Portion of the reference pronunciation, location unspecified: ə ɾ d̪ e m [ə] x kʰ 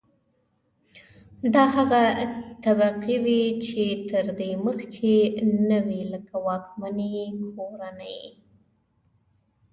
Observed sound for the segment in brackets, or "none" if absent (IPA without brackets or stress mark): ə